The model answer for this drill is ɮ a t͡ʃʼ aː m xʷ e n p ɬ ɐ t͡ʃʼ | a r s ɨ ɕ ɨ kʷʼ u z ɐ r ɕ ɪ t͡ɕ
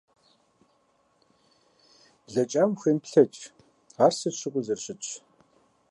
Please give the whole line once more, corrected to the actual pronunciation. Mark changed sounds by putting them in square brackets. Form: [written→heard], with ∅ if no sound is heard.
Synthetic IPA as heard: ɮ [a→ɐ] t͡ʃʼ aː m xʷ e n p ɬ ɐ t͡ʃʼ | a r s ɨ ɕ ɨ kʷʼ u z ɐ r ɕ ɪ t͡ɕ